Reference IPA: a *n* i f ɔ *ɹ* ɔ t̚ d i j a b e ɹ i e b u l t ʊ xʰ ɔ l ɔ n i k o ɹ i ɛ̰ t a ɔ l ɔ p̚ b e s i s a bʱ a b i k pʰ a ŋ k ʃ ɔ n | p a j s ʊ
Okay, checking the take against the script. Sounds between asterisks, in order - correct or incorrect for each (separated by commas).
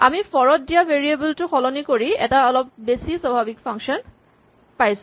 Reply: incorrect, correct